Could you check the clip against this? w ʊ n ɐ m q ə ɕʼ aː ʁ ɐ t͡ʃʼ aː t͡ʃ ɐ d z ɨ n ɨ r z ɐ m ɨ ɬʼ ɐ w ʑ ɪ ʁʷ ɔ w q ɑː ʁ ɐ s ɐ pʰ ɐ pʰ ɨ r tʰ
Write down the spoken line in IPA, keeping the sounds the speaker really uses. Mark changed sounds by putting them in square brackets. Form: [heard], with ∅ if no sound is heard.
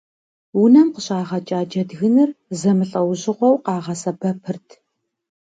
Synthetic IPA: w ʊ n ɐ m q ə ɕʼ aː ʁ ɐ t͡ʃʼ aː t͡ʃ ɐ d [ɣ] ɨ n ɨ r z ɐ m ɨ ɬʼ ɐ w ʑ ɪ ʁʷ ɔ w q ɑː ʁ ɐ s ɐ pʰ ɐ pʰ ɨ r tʰ